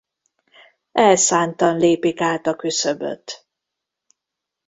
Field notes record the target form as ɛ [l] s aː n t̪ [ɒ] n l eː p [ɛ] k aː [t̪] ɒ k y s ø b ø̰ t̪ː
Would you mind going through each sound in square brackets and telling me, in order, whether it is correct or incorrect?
correct, correct, incorrect, correct

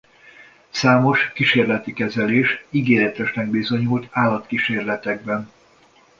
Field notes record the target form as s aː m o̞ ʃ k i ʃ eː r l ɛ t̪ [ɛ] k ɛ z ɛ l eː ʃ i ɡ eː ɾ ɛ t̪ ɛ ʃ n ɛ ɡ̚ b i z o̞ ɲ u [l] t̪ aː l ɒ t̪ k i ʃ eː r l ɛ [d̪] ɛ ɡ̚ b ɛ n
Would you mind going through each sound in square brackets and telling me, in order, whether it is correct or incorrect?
incorrect, correct, incorrect

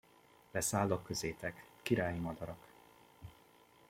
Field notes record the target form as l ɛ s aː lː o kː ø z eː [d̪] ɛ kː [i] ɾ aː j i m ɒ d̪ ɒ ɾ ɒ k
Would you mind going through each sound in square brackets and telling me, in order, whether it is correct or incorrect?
incorrect, correct

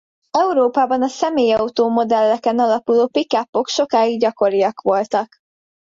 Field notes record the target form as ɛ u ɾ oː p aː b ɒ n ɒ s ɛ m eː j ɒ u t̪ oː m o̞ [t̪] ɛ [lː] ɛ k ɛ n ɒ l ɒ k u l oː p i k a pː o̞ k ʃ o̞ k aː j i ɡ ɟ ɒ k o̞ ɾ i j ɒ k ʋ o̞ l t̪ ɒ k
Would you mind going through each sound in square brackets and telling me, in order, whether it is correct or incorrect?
incorrect, correct

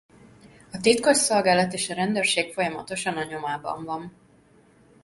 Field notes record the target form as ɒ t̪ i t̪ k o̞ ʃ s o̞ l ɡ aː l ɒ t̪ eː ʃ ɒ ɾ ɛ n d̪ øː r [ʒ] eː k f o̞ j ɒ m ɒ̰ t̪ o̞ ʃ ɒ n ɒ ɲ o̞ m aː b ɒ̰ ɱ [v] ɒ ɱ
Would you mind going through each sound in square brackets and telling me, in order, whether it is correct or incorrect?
incorrect, correct

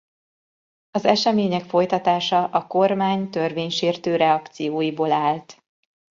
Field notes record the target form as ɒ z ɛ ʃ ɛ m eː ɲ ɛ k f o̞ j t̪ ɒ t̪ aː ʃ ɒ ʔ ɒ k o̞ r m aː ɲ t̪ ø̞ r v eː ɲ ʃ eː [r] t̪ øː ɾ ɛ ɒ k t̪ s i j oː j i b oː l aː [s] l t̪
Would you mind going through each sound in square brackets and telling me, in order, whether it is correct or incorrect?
correct, incorrect

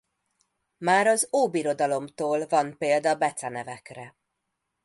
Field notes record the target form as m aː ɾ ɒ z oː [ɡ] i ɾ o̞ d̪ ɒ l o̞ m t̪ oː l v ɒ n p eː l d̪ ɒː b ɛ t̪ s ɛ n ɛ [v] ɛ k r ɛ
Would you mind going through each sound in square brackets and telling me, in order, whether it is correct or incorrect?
incorrect, correct

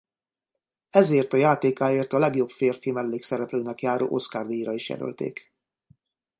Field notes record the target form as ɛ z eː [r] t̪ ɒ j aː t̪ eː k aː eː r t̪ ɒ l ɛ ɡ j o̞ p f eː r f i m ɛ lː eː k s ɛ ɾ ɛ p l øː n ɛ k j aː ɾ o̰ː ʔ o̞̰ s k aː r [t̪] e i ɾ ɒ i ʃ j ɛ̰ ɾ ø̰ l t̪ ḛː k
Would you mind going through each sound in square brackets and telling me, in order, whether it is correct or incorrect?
correct, incorrect

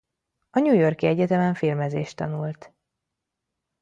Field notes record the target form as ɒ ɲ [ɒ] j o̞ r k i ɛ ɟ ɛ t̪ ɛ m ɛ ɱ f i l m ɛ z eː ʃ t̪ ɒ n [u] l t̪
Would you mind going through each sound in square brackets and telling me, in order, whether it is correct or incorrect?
incorrect, correct

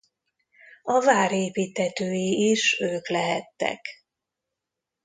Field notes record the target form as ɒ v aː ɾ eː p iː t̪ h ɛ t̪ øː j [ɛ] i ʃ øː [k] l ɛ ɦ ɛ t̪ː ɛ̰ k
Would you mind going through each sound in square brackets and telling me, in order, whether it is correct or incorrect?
incorrect, correct

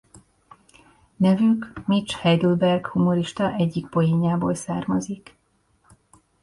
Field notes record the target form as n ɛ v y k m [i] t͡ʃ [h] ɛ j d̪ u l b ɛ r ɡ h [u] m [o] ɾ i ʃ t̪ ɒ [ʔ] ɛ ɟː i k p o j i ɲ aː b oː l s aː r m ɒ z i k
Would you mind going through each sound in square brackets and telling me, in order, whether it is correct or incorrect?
correct, correct, correct, correct, correct

